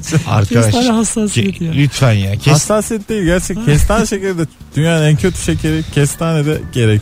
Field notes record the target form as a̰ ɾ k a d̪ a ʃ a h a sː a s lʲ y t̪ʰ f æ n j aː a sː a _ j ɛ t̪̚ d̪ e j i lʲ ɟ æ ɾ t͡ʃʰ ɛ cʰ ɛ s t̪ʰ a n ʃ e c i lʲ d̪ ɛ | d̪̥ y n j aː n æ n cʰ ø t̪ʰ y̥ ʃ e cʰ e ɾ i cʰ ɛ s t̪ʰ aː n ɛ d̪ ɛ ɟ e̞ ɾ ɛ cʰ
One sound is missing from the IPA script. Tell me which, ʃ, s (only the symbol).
s